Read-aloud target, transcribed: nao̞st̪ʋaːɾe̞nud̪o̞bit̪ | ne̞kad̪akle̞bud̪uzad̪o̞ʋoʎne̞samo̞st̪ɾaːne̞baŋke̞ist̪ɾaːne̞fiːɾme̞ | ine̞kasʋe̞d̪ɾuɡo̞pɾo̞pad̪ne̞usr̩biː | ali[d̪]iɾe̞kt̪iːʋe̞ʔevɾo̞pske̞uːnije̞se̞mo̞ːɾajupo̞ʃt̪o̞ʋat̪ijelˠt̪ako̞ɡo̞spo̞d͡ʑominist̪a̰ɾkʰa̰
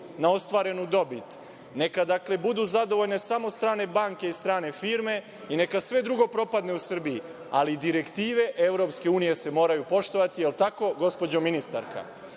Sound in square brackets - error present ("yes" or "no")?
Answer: no